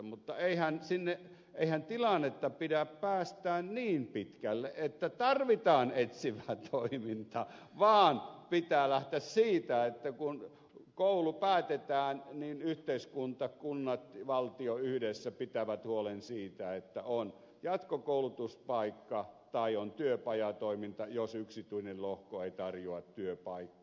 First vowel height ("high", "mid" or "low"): high